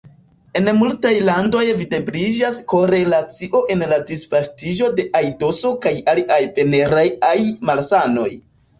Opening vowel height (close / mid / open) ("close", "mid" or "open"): mid